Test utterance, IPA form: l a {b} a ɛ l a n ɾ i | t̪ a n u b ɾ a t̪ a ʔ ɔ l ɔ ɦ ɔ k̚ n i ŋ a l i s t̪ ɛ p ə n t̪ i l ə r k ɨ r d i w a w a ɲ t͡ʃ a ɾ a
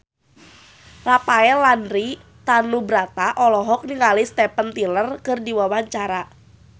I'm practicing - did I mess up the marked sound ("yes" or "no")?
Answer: yes